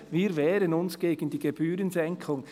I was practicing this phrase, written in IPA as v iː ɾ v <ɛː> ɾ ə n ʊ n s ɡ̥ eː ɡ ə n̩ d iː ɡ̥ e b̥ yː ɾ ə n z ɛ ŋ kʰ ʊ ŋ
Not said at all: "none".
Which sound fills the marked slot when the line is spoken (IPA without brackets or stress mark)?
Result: ɛː